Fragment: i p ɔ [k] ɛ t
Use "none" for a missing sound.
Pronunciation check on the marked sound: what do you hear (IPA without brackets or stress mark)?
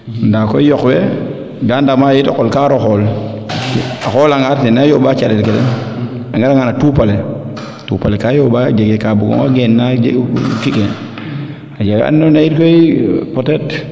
t